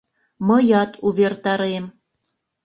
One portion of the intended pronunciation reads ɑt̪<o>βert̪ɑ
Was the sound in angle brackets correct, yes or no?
no